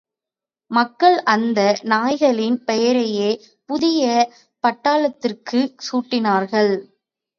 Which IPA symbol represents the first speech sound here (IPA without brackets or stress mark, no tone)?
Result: m